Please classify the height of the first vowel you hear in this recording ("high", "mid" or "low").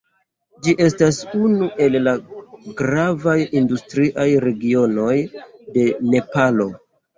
high